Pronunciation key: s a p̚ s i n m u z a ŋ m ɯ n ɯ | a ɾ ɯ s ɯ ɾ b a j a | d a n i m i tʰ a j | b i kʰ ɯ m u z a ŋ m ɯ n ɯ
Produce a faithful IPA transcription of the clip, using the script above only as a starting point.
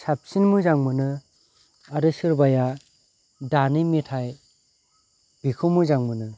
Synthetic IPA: s a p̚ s i n m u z a ŋ m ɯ n ɯ | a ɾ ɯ s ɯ ɾ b a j a | d a n i m i tʰ a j | b i kʰ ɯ m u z a ŋ m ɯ n ɯ